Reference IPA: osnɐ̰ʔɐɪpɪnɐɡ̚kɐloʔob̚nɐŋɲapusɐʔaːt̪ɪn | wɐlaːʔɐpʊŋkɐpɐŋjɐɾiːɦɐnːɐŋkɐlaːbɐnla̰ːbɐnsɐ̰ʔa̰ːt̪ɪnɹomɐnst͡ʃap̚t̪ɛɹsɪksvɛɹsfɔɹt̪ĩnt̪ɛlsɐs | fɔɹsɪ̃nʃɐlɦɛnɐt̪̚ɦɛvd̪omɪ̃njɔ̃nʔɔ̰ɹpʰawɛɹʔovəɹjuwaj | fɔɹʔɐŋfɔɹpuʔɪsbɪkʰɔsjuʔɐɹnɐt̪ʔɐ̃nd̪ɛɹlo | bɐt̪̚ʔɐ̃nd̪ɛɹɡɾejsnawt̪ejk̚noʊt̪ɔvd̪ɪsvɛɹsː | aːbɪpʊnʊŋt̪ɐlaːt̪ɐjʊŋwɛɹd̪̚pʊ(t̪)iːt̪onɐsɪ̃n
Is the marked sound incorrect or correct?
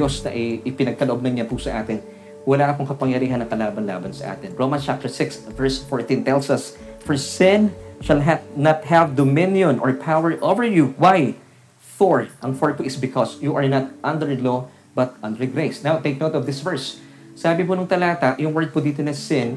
incorrect